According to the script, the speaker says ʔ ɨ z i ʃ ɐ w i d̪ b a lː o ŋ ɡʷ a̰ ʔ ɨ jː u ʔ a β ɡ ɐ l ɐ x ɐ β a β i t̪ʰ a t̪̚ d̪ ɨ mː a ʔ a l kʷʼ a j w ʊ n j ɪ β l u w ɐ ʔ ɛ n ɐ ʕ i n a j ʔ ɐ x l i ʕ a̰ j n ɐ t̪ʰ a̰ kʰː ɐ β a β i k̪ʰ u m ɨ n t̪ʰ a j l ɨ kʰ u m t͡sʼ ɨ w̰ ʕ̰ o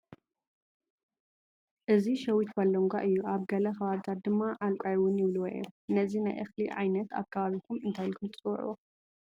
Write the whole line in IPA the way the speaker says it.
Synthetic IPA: ʔ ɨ z i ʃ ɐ w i t̪ b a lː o ŋ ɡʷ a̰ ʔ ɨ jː u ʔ a β ɡ ɐ l ɐ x ɐ β a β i t̪ʰ a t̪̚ d̪ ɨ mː a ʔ a l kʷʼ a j w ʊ n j ɪ β l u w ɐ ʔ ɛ n ɐ z i n a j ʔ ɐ x l i ʕ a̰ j n ɐ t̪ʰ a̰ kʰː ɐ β a β i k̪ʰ u m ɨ n t̪ʰ a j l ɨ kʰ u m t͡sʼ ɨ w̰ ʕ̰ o